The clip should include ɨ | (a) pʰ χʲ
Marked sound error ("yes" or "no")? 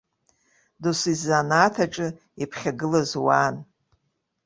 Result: yes